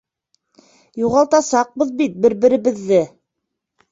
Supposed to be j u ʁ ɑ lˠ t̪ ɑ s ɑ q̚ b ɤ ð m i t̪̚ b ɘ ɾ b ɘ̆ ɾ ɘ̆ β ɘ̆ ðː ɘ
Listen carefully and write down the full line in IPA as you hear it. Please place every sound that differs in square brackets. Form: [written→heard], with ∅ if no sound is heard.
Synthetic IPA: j u ʁ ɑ lˠ t̪ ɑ s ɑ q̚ b ɤ ð [m→b] i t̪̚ b ɘ ɾ b ɘ̆ ɾ ɘ̆ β ɘ̆ ðː ɘ